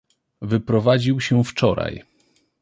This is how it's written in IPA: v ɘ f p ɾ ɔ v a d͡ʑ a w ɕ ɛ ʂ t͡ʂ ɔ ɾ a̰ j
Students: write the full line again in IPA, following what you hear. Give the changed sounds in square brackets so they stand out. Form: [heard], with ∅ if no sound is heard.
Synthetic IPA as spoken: v ɘ [∅] p ɾ ɔ v a d͡ʑ [i] w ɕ ɛ [f] t͡ʂ ɔ ɾ a̰ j